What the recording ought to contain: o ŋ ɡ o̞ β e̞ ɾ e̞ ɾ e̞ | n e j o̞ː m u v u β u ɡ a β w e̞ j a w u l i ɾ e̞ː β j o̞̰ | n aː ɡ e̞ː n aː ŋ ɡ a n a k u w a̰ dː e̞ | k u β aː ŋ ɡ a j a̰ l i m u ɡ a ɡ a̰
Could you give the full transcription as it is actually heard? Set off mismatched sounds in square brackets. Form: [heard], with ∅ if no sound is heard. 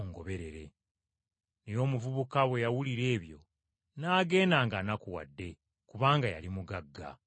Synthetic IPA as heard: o ŋ ɡ o̞ β e̞ ɾ e̞ ɾ e̞ | n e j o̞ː m u v u β u [k] a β w e̞ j a w u l i ɾ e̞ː β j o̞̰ | n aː ɡ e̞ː n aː ŋ ɡ a n a k u w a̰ dː e̞ | k u β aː ŋ ɡ a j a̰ l i m u ɡ a [ɡː] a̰